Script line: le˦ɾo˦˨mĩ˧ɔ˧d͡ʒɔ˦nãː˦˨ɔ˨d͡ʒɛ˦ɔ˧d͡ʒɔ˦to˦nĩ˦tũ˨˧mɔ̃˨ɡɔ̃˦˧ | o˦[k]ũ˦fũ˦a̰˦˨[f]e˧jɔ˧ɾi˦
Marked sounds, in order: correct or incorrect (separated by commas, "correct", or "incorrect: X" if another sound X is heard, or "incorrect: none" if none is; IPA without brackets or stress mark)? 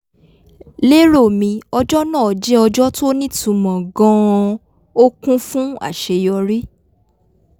correct, incorrect: ʃ